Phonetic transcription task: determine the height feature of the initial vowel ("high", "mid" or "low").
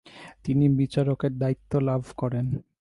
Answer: high